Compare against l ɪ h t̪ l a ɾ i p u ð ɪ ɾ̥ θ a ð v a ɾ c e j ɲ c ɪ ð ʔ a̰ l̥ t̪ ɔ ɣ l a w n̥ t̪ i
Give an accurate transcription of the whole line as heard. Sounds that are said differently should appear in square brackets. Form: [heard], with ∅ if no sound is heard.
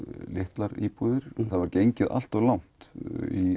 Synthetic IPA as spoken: l ɪ h t̪ l a ɾ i p u ð ɪ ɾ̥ θ a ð v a ɾ c e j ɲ c ɪ ð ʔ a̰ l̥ t̪ ɔ ɣ l a w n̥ t̪ i